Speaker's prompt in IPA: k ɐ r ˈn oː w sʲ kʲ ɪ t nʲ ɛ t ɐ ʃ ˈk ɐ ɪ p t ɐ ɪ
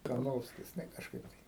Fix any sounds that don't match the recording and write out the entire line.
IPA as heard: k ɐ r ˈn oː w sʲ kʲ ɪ s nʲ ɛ k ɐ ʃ ˈk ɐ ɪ p t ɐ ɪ